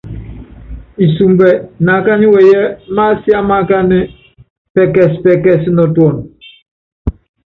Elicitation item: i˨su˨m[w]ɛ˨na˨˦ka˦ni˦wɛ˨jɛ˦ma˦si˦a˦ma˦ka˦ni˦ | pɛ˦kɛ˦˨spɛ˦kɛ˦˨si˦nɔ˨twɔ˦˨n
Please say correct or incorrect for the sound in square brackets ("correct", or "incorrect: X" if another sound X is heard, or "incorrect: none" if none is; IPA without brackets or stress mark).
incorrect: b